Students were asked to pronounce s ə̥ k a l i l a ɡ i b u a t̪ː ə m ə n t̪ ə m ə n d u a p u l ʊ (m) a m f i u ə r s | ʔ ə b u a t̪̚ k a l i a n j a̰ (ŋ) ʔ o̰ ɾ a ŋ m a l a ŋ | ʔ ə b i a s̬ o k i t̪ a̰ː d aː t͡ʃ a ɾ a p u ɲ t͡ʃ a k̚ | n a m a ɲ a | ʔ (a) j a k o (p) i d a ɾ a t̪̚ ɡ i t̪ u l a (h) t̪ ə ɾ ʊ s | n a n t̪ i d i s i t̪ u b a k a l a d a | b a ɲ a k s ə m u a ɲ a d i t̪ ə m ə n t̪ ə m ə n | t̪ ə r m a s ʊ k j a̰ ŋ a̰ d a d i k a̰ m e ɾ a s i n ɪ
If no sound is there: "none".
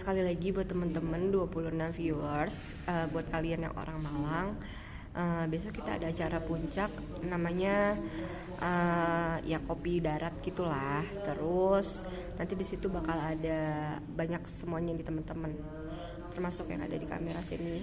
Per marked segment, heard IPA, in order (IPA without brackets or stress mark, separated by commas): n, ŋ, ə, p, h